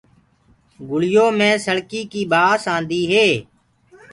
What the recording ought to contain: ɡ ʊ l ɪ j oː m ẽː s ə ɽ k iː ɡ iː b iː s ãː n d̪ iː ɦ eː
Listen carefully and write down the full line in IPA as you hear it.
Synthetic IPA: ɡ ʊ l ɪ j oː m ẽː s ə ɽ k iː k iː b aː s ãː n d̪ iː ɦ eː